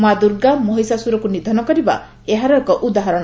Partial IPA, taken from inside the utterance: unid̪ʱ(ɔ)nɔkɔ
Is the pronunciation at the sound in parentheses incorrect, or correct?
correct